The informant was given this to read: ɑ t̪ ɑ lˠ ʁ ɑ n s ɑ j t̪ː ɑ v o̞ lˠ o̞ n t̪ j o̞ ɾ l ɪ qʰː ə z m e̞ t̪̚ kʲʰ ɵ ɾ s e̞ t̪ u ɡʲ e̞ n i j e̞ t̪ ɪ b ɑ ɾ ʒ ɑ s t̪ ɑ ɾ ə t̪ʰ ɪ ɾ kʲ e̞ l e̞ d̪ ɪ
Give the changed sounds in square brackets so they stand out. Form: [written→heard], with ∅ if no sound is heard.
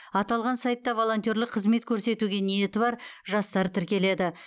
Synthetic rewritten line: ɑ t̪ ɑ lˠ ʁ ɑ n s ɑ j t̪ː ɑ v o̞ lˠ o̞ n t̪ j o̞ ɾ l ɪ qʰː ə z m e̞ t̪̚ kʲʰ ɵ ɾ s e̞ t̪ u ɡʲ e̞ n i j e̞ t̪ ɪ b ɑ ɾ ʒ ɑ s t̪ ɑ ɾ ə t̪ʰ ɪ ɾ kʲ e̞ l e̞ d̪ ɪ

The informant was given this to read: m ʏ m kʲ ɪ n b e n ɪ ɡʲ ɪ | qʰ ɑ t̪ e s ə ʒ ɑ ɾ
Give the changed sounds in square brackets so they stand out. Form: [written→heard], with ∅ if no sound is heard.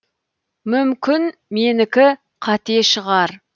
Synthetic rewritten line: m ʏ m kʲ ɪ n [b→m] e n ɪ [ɡʲ→kʲ] ɪ | qʰ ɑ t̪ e [s→ʃ] ə [ʒ→ʁ] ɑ ɾ

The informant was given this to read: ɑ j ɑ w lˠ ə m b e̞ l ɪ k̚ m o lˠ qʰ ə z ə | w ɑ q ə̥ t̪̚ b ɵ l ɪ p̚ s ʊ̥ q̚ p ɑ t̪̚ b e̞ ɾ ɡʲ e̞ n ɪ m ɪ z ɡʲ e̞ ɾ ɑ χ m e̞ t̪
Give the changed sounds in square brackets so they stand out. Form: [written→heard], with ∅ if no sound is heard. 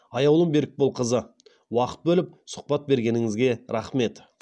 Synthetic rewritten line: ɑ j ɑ w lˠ ə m b e̞ [l→ɾ] ɪ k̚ [m→b] o lˠ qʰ ə z ə | w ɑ q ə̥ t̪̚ b ɵ l ɪ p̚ s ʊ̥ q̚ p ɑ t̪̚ b e̞ ɾ ɡʲ e̞ n ɪ [m→ŋ] ɪ z ɡʲ e̞ ɾ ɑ χ m e̞ t̪

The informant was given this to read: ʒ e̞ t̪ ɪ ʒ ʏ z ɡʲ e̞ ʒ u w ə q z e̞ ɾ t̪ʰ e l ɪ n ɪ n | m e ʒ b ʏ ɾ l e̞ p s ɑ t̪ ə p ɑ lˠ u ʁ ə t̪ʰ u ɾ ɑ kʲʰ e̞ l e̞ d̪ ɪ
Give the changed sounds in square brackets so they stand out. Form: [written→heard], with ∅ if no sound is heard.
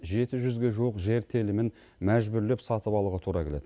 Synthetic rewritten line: ʒ e̞ t̪ ɪ ʒ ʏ z ɡʲ e̞ ʒ u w ə q [z→ʒ] e̞ ɾ t̪ʰ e l ɪ [n→m] ɪ n | m [e→æ] ʒ b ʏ ɾ l e̞ p s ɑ t̪ ə p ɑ lˠ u ʁ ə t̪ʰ u ɾ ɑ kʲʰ e̞ l e̞ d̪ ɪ

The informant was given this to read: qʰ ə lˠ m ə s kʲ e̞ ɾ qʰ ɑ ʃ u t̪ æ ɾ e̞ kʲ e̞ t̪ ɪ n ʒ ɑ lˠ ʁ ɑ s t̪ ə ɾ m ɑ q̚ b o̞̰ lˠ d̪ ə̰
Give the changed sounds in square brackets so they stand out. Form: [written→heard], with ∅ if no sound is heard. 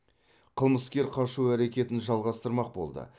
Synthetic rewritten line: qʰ ə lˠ m ə s kʲ e̞ ɾ qʰ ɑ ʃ u [t̪→∅] æ ɾ e̞ kʲ e̞ t̪ ɪ n ʒ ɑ lˠ ʁ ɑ s t̪ ə ɾ m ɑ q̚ b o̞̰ lˠ d̪ ə̰

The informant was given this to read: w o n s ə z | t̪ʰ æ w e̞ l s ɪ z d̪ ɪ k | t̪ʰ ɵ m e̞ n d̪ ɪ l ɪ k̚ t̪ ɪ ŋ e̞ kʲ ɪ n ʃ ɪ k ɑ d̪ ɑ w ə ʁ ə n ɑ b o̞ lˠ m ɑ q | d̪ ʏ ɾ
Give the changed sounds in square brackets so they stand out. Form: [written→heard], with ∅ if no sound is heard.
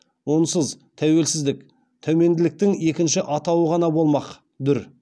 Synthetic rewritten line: w o n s ə z | t̪ʰ æ w e̞ l s ɪ z d̪ ɪ k | t̪ʰ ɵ m e̞ n d̪ ɪ l ɪ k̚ t̪ ɪ ŋ e̞ kʲ ɪ n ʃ ɪ [k→ʔ] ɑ [d̪→t̪] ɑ w ə ʁ [ə→ɑ] n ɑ b o̞ lˠ m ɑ q | d̪ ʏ ɾ

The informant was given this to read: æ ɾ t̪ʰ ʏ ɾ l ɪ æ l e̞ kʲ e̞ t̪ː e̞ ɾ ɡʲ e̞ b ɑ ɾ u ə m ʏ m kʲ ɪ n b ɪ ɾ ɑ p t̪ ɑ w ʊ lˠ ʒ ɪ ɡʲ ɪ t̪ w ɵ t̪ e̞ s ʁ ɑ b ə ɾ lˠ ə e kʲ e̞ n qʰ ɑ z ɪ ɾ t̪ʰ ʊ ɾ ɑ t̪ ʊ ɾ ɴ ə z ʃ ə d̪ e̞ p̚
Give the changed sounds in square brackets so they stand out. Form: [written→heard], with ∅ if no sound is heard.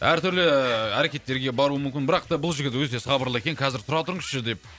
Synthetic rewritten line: æ ɾ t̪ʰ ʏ ɾ l ɪ æ [l→ɾ] e̞ kʲ e̞ t̪ː e̞ ɾ ɡʲ e̞ b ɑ ɾ u ə m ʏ m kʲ ɪ n b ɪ ɾ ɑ [p→q] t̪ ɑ [w→b] ʊ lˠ ʒ ɪ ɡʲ ɪ t̪ w ɵ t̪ e̞ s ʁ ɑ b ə ɾ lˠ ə e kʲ e̞ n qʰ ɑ z ɪ ɾ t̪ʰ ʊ ɾ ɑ t̪ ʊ ɾ ɴ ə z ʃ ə d̪ e̞ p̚

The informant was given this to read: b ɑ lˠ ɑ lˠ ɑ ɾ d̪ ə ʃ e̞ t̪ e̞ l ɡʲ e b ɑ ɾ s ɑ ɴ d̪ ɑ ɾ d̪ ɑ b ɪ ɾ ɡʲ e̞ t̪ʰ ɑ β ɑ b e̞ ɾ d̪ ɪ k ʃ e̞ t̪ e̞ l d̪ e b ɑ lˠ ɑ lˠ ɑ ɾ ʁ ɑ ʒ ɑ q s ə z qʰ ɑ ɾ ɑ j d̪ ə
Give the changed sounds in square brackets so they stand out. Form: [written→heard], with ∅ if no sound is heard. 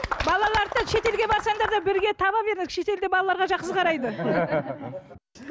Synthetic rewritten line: b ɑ lˠ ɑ lˠ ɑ ɾ d̪ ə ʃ e̞ t̪ e̞ l ɡʲ e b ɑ ɾ s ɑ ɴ d̪ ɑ ɾ d̪ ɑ b ɪ ɾ ɡʲ e̞ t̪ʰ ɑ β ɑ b e̞ ɾ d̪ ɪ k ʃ e̞ t̪ e̞ l d̪ e b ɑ lˠ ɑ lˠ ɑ ɾ ʁ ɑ ʒ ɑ q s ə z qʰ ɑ ɾ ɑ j d̪ ə

